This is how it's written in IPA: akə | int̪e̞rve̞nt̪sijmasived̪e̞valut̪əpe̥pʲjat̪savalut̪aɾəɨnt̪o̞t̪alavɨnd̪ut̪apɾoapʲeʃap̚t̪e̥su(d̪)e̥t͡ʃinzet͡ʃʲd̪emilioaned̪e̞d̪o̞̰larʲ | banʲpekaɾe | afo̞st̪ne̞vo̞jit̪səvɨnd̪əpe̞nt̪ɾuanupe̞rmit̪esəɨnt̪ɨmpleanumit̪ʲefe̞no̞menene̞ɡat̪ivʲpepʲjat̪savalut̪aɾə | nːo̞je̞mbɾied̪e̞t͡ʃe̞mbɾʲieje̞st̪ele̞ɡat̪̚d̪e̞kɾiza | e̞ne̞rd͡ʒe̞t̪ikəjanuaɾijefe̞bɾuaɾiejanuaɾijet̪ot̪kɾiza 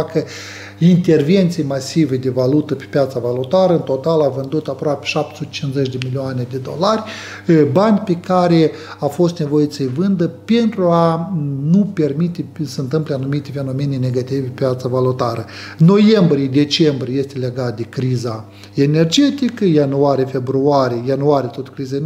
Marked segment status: incorrect: t̪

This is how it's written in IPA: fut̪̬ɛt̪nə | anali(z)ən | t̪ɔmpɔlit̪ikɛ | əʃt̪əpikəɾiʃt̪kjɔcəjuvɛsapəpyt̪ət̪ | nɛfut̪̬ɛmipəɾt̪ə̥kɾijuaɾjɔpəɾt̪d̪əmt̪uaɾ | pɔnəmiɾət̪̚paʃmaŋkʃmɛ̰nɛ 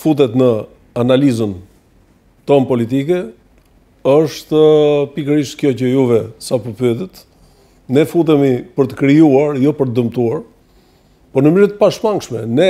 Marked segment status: correct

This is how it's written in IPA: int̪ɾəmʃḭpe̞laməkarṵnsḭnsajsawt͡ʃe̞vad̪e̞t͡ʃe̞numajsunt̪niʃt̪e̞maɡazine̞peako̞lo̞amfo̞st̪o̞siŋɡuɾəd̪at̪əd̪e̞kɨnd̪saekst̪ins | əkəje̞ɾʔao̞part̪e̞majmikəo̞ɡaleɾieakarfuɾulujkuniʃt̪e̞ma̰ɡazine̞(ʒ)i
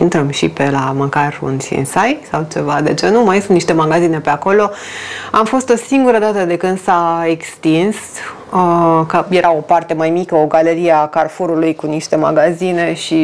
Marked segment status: incorrect: ʃ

